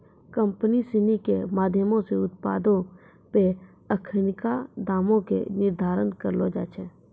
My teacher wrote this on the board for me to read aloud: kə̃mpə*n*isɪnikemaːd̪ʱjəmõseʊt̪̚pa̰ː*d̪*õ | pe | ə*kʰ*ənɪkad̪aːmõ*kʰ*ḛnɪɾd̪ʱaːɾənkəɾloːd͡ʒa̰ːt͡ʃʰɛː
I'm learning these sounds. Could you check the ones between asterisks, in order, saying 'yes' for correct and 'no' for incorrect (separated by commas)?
yes, yes, yes, no